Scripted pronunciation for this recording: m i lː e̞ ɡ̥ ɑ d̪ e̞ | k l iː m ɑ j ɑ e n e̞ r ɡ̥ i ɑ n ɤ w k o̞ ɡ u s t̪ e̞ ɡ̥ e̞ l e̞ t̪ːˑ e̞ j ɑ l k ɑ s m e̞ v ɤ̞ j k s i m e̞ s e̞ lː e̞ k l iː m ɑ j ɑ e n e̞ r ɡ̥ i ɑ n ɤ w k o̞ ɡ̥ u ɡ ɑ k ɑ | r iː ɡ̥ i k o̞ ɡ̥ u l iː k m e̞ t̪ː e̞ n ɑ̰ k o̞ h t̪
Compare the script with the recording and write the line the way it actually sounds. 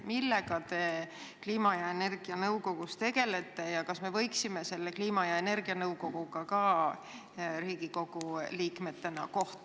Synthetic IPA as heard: m i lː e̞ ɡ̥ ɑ t̪ e̞ | k l iː m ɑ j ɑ e n e̞ r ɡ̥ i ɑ n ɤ w k o̞ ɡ u s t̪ e̞ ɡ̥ e̞ l e̞ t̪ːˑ e̞ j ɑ k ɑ s m e̞ v ɤ̞ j k s i m e̞ s e̞ lː e̞ k l iː m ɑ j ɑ e n e̞ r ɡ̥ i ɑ n ɤ w k o̞ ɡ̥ u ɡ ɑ k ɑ | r iː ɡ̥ i k o̞ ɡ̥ u l iː k m e̞ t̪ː e̞ n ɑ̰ k o̞ h t̪